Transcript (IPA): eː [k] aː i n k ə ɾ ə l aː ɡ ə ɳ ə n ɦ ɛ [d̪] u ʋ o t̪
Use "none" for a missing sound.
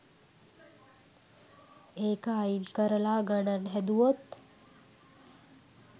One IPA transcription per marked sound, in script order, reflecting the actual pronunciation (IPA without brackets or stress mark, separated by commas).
k, d̪